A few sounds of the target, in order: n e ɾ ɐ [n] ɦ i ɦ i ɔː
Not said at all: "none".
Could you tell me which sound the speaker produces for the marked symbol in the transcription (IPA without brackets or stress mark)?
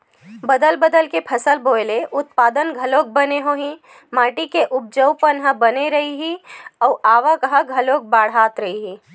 none